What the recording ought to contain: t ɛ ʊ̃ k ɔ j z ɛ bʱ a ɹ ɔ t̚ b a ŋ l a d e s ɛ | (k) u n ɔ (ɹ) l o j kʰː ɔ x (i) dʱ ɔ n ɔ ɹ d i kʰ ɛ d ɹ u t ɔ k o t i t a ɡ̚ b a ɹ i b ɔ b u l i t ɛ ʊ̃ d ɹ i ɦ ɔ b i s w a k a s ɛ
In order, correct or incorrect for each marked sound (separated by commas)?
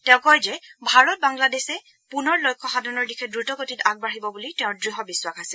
incorrect, correct, incorrect